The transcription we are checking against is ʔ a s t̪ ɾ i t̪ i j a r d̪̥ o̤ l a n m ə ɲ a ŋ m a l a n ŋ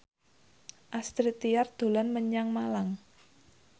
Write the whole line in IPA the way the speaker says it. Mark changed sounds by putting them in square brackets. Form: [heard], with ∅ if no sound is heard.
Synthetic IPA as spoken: ʔ a s t̪ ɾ i t̪ i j a r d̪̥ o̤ l a n m ə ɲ a ŋ m a l a [∅] ŋ